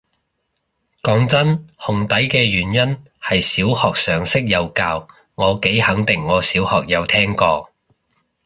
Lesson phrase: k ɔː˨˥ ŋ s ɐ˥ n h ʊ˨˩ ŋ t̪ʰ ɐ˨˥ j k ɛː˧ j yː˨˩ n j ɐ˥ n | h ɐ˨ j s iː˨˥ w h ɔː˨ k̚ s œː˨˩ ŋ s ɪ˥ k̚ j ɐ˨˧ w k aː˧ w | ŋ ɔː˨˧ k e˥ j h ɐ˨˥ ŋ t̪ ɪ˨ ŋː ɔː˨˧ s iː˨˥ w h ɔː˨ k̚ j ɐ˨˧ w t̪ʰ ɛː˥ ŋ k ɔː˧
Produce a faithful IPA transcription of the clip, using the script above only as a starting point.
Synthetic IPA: k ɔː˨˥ ŋ t͡s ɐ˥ n h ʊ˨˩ ŋ t̪ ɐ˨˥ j k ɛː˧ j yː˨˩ n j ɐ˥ n | h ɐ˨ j s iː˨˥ w h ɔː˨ k̚ s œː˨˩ ŋ s ɪ˥ k̚ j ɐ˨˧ w k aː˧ w | ŋ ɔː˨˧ k e˨˥ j h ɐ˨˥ ŋ t̪ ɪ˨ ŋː ɔː˨˧ s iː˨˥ w h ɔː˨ k̚ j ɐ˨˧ w t̪ʰ ɛː˥ ŋ k ɔː˧